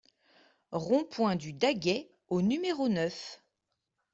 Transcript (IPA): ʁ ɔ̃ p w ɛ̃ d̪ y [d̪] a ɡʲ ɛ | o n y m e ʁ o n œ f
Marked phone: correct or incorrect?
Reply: correct